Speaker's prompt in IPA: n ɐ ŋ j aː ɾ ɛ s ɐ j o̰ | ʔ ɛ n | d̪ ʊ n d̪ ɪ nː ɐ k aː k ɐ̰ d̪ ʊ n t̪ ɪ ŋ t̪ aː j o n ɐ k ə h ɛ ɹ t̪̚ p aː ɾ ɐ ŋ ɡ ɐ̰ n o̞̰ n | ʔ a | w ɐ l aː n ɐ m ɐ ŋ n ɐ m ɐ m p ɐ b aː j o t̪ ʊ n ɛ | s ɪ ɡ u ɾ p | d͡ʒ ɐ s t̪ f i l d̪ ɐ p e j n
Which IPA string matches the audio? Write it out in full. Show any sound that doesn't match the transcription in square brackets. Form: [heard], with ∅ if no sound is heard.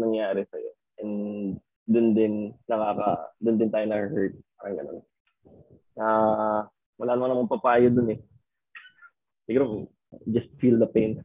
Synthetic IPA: n ɐ ŋ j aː ɾ ɛ s ɐ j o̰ | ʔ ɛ n | d̪ ʊ n d̪ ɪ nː ɐ k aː k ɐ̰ d̪ ʊ n [d̪] ɪ [n] t̪ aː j o n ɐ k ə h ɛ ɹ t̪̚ p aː ɾ ɐ ŋ ɡ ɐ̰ n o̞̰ n | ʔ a | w ɐ l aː n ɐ m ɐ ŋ n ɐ m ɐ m p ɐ [p] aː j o [d̪] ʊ n ɛ | s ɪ ɡ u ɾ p | d͡ʒ ɐ s t̪ f i l d̪ ɐ p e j n